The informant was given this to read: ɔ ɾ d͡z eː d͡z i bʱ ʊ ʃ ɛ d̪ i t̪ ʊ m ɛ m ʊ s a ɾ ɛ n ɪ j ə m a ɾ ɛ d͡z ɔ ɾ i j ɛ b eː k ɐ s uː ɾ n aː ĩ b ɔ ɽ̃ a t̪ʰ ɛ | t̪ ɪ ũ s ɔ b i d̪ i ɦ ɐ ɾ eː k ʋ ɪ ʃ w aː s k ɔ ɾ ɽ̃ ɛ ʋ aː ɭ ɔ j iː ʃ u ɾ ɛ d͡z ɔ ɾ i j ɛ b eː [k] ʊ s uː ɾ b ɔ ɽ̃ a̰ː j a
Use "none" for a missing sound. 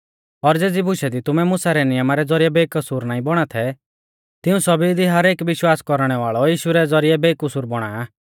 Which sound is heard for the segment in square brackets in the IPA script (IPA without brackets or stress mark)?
k